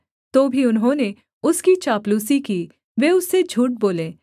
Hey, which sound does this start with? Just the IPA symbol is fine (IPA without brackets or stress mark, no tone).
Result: t̪